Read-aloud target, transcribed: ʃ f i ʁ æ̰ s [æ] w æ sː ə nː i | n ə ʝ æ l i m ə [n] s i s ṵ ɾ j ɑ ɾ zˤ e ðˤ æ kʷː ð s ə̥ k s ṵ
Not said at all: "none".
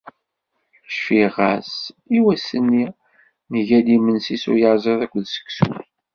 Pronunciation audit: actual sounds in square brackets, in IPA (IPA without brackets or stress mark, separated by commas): i, n